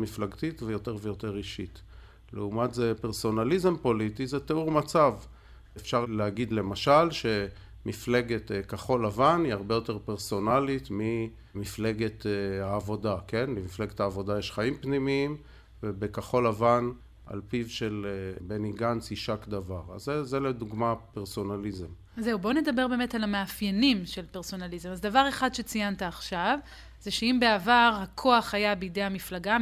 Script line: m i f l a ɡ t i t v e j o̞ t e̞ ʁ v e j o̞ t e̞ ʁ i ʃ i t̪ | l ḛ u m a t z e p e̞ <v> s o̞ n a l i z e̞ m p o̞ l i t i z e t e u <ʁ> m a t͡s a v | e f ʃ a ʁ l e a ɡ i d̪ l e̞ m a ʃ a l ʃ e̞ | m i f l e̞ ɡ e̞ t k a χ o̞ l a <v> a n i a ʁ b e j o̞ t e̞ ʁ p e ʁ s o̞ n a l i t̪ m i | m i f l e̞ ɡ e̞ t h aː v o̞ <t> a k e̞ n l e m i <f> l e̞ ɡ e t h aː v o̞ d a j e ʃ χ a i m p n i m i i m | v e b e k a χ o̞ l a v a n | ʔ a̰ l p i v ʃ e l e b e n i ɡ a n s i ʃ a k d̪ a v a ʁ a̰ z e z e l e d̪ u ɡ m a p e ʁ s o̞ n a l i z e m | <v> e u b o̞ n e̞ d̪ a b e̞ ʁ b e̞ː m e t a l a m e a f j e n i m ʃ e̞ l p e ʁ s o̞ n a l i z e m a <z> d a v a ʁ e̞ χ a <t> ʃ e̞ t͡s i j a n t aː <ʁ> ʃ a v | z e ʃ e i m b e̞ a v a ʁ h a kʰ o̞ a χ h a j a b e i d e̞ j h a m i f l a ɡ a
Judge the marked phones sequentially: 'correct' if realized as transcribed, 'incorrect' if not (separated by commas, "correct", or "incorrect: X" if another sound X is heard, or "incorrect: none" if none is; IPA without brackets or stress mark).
incorrect: ʁ, correct, correct, incorrect: d, correct, incorrect: z, correct, incorrect: d, incorrect: χ